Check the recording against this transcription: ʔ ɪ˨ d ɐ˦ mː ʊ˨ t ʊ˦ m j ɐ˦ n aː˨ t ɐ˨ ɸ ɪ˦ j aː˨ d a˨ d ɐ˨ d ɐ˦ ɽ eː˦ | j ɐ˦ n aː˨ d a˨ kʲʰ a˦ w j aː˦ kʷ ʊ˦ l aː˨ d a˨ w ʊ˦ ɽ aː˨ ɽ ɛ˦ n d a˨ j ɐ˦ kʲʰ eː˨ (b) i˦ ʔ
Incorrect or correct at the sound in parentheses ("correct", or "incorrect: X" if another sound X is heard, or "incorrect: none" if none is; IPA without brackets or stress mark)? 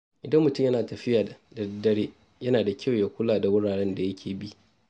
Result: correct